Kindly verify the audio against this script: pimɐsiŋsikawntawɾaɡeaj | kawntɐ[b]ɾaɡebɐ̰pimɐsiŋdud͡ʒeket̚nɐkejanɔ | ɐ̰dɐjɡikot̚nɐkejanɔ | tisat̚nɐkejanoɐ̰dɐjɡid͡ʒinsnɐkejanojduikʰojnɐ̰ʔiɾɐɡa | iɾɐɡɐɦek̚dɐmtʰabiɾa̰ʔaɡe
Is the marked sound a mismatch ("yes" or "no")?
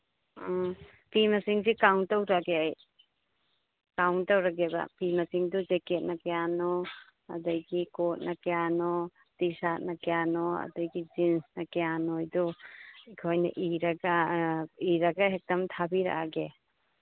yes